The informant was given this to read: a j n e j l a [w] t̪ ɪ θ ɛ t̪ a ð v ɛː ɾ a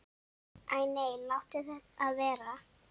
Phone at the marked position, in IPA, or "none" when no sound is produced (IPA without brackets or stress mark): w